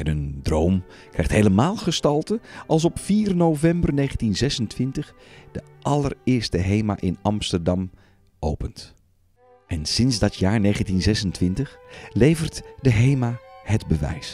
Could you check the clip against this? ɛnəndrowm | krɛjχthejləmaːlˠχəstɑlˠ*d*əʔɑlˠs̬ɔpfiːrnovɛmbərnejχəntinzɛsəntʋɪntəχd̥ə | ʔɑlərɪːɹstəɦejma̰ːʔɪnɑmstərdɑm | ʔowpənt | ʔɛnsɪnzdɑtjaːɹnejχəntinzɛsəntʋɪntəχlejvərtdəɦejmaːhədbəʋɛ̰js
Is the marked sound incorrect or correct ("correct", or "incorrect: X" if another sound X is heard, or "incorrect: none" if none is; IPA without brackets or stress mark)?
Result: incorrect: t